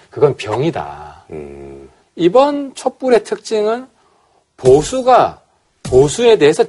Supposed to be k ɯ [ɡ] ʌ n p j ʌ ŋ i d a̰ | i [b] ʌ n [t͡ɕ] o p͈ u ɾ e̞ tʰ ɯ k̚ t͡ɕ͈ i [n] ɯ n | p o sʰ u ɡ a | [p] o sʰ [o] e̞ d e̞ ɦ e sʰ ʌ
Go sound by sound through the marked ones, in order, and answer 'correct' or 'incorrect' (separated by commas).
correct, correct, incorrect, incorrect, correct, incorrect